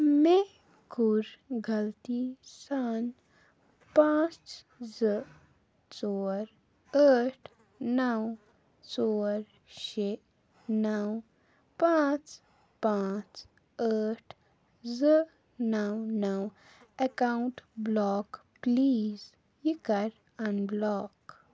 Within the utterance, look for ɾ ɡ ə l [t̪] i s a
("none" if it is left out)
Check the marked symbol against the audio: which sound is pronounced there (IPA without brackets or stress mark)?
t̪